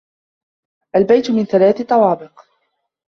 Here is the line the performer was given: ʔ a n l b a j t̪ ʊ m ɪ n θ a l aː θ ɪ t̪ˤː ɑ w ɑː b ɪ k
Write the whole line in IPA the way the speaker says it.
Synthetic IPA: ʔ a l b a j t̪ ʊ m ɪ n θ a l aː θ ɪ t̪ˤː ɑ w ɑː b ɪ q